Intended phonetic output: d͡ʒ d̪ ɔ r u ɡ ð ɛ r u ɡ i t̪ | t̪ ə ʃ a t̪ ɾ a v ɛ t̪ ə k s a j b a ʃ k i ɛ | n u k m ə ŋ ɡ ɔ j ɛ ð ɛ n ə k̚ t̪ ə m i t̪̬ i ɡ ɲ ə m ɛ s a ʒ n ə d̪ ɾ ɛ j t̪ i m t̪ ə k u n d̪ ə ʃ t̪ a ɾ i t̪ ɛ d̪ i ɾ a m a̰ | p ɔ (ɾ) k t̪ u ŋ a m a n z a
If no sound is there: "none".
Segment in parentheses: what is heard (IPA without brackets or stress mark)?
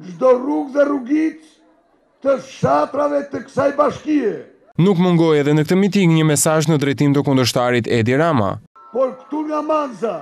ɾ